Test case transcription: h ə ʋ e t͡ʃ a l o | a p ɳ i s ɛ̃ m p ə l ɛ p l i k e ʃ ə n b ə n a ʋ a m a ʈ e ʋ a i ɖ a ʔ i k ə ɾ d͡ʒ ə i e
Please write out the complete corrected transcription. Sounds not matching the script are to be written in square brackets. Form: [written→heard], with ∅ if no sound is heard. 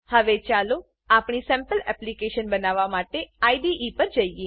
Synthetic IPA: h ə ʋ e t͡ʃ a l o | a p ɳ i s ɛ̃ m p ə l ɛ p l i k e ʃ ə n b ə n a ʋ a m a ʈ e [ʋ→∅] a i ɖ [a→i] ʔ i [k→p] ə ɾ d͡ʒ ə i e

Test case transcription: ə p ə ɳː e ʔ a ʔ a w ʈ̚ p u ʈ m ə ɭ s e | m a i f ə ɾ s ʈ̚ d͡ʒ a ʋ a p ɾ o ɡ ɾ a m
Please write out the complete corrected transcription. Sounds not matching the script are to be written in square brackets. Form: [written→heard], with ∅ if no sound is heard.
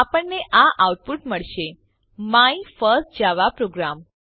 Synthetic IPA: [ə→a] p ə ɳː e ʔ a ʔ a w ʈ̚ p u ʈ m ə ɭ [s→ʃ] e | m a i f ə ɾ s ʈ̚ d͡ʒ a ʋ a p ɾ o ɡ ɾ a m

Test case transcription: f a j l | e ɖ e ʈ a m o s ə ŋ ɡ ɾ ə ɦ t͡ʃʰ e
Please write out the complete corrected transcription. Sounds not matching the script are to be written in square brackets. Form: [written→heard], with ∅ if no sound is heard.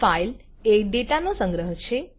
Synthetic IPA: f a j l | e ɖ e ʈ a [m→n] o s ə ŋ ɡ ɾ ə ɦ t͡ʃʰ e

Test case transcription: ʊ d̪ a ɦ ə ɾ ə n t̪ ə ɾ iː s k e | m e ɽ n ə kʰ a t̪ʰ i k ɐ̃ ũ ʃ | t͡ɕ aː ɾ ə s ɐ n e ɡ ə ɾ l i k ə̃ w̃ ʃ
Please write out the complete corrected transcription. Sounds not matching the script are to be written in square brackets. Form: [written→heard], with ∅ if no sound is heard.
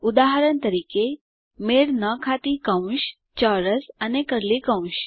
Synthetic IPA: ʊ d̪ a ɦ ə ɾ ə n t̪ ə ɾ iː [s→∅] k e | m e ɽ n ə kʰ a [t̪ʰ→t̪] i k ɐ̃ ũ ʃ | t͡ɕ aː ɾ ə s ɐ n e [ɡ→k] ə ɾ l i k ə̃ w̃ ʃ

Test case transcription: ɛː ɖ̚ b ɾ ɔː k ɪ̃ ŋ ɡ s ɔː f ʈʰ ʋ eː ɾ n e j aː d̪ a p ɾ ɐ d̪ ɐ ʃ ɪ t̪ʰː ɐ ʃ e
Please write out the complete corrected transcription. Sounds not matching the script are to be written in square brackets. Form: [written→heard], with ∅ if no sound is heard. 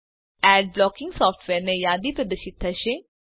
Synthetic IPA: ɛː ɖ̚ b [ɾ→l] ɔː k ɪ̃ ŋ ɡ s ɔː f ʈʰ ʋ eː ɾ n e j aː d̪ [a→i] p ɾ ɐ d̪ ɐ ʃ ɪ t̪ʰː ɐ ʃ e

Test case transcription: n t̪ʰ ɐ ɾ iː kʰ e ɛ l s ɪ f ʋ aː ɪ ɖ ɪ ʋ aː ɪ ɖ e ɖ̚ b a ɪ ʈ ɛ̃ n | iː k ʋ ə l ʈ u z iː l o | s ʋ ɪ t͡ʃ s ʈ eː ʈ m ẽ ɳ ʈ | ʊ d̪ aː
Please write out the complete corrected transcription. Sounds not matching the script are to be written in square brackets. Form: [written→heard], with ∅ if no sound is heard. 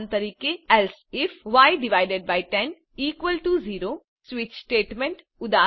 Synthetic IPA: n [t̪ʰ→t̪] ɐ ɾ iː [kʰ→k] e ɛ l s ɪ f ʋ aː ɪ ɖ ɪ ʋ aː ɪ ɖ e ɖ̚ b a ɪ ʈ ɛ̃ n | iː k ʋ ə l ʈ u z iː [l→ɾ] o | s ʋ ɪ t͡ʃ s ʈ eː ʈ m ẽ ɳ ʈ | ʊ d̪ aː

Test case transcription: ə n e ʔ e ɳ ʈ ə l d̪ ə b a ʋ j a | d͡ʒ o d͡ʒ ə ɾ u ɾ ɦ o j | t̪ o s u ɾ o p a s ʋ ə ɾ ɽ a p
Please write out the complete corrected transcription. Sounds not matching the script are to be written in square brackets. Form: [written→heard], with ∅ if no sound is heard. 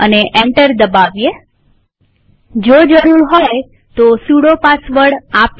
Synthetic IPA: ə n e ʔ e ɳ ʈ ə [l→ɾ] d̪ ə b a ʋ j [a→e] | d͡ʒ o d͡ʒ ə ɾ u ɾ ɦ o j | t̪ o s u [ɾ→ɽ] o p a s ʋ ə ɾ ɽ a p

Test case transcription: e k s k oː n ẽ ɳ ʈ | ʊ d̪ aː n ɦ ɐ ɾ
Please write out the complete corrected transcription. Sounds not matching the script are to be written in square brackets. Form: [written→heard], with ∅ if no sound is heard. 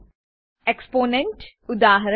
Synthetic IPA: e k s [k→p] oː n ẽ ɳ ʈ | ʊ d̪ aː [n→∅] ɦ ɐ ɾ

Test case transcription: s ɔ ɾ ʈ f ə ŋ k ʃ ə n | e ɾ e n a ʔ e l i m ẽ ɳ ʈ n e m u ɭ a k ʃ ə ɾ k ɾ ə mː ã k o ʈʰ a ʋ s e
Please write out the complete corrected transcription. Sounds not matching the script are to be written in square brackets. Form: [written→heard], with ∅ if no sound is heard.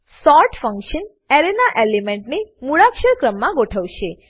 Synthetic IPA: s ɔ ɾ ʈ f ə ŋ k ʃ ə n | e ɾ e n a ʔ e l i m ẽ ɳ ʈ n e m u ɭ a k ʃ ə ɾ k ɾ ə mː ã [k→ɡ] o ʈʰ [a→ə] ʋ [s→ʃ] e

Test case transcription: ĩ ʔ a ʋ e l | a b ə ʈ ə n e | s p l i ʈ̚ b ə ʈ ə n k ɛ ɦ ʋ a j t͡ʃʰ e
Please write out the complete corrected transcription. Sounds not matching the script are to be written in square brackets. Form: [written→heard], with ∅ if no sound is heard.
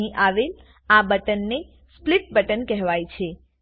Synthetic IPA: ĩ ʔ a ʋ e l | a b ə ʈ ə [n→nː] e | s p l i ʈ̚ b ə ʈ ə n k ɛ ɦ ʋ a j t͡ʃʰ e

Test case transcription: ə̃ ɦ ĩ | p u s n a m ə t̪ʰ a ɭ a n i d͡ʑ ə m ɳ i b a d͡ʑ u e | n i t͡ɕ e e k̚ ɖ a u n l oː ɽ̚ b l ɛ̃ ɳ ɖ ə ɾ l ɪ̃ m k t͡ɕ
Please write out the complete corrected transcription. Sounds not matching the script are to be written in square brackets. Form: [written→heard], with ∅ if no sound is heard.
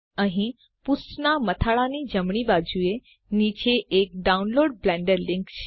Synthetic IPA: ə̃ ɦ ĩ | p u s n a m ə t̪ʰ a ɭ a n i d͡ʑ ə m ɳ i b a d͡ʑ u e | n i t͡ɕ e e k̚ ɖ a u n l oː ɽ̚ b l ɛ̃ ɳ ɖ ə ɾ l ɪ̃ [m→ŋ] k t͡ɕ

